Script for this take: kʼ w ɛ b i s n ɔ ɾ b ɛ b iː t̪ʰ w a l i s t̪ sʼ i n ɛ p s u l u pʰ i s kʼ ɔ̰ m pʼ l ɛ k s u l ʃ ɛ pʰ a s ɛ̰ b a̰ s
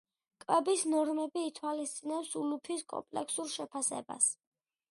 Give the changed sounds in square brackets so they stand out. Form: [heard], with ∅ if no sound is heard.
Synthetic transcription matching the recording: kʼ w ɛ b i s n ɔ ɾ [m] ɛ b iː t̪ʰ w a l i s t̪ sʼ i n ɛ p s u l u pʰ i s kʼ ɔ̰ m pʼ l ɛ k s u [ɾ] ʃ ɛ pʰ a s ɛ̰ b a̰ s

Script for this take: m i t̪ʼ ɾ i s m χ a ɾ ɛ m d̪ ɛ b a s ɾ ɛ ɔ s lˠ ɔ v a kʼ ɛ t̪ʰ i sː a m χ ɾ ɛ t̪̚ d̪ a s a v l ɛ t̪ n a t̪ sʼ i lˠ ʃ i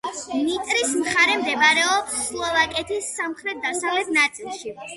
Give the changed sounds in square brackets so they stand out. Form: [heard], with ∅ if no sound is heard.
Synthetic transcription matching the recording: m i t̪ʼ ɾ i s m χ a ɾ ɛ m d̪ ɛ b a [∅] ɾ ɛ ɔ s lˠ ɔ v a kʼ ɛ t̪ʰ i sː a m χ ɾ ɛ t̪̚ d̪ a s a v l ɛ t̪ n a t̪ sʼ i lˠ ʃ i

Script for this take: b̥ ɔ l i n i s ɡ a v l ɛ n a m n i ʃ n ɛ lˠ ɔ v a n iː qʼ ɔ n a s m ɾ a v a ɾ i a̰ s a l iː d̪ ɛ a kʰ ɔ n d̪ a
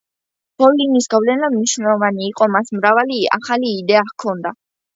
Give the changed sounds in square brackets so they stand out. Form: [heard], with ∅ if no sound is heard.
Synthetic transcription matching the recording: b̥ ɔ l i n i s ɡ a v l ɛ n a m n i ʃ n ɛ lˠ ɔ v a n iː qʼ ɔ [m] a s m ɾ a v a [l] i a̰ [χ] a l iː d̪ ɛ a kʰ ɔ n d̪ a

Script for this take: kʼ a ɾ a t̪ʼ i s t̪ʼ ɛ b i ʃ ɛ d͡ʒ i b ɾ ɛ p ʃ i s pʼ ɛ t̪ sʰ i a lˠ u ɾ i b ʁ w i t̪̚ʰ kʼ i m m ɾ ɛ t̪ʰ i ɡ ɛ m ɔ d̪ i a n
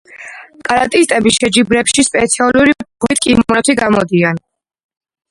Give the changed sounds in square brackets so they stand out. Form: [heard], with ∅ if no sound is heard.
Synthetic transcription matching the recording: kʼ a ɾ a t̪ʼ i s t̪ʼ ɛ b i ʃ ɛ d͡ʒ i b ɾ ɛ p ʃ i s pʼ ɛ t̪ sʰ i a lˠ u ɾ i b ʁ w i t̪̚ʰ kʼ i m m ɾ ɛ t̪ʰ i ɡ [a] m ɔ d̪ i a n

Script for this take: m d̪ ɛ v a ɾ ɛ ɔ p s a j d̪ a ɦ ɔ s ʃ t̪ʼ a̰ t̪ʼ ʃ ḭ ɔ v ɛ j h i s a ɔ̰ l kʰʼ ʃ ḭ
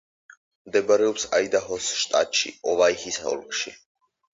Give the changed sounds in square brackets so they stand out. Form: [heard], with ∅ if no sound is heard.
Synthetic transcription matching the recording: m d̪ ɛ [b] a ɾ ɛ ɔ p s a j d̪ a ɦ ɔ s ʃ t̪ʼ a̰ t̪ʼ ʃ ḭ ɔ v [a] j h i s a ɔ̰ l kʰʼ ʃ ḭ

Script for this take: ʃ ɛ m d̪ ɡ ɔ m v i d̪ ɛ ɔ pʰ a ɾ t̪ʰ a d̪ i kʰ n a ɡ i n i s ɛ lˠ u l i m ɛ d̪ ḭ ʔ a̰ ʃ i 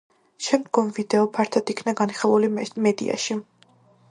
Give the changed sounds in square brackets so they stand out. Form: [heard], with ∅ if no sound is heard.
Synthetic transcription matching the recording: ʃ ɛ m d̪ ɡ ɔ m v i d̪ ɛ ɔ pʰ a ɾ t̪ʰ a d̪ i kʰ n a ɡ [a] n i [χ] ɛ lˠ u l i m ɛ d̪ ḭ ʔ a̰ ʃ i

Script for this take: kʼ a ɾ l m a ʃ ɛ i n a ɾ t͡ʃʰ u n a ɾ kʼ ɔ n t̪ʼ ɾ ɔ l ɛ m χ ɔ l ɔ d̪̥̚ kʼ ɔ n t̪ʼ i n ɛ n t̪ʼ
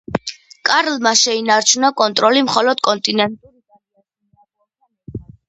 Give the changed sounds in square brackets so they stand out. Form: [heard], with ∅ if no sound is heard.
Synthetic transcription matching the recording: kʼ a ɾ l m a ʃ ɛ i n a ɾ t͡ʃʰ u n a [∅] kʼ ɔ n t̪ʼ ɾ ɔ l [i] m χ ɔ l ɔ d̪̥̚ kʼ ɔ n t̪ʼ i n ɛ n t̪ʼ

